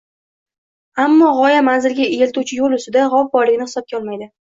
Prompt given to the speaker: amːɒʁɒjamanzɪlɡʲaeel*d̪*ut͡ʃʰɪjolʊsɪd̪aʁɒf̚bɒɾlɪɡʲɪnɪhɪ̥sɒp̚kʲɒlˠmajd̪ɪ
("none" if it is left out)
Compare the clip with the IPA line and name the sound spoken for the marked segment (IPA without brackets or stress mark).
t̪